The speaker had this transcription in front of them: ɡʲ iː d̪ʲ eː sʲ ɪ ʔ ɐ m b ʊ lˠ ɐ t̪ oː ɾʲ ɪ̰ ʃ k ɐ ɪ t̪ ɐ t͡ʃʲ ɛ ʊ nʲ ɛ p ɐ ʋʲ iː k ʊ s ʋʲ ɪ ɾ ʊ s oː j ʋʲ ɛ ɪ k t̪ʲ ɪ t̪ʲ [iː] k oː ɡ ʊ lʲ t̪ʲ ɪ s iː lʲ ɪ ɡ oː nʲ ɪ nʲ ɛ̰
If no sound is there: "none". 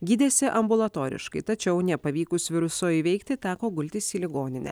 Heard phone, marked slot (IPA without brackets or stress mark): æː